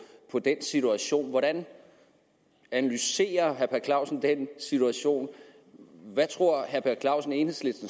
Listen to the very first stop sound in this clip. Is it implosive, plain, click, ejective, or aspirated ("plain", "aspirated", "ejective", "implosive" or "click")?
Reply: aspirated